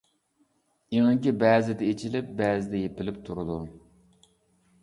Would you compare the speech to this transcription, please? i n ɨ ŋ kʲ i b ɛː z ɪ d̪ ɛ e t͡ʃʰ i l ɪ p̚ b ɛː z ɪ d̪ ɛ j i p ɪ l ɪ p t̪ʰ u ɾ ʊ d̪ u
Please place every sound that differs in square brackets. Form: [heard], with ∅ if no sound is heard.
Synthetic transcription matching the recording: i [ŋ] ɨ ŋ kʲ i b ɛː z ɪ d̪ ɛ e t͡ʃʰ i l ɪ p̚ b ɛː z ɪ d̪ ɛ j [e] p ɪ l ɪ p t̪ʰ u ɾ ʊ d̪ u